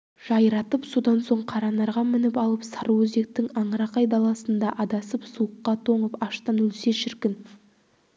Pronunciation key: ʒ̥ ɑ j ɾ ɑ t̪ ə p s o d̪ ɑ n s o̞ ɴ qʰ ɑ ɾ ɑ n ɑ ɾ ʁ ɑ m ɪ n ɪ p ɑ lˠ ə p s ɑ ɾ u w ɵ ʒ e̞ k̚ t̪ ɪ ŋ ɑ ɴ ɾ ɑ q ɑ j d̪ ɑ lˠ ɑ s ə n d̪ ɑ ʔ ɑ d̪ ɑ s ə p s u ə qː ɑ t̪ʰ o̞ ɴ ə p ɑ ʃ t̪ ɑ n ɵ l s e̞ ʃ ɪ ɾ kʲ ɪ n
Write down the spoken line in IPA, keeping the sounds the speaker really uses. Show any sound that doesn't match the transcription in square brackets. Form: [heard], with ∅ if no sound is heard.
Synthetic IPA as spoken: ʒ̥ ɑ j ɾ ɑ t̪ ə p s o d̪ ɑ n s o̞ ɴ qʰ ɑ ɾ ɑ n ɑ ɾ ʁ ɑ m ɪ n ɪ p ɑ lˠ ə p s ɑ ɾ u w ɵ [z] e̞ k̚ t̪ ɪ ŋ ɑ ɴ ɾ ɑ q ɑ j d̪ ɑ lˠ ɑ s ə n d̪ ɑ ʔ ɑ d̪ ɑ s ə p s u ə qː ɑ t̪ʰ o̞ ɴ ə p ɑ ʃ t̪ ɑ n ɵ l s e̞ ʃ ɪ ɾ kʲ ɪ n